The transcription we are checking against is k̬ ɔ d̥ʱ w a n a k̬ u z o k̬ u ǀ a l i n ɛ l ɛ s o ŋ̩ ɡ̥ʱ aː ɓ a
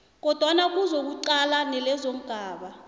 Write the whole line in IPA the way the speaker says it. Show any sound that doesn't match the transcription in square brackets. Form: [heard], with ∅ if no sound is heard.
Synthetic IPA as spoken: k̬ ɔ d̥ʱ w a n a k̬ u z o k̬ u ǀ a l [a] n ɛ l ɛ [z] o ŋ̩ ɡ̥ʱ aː ɓ a